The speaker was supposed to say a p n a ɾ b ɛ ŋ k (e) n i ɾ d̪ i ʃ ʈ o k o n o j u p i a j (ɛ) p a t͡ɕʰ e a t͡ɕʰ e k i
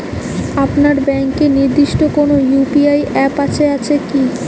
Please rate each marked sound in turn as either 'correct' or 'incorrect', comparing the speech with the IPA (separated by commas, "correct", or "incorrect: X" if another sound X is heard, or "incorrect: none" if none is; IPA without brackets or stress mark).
correct, correct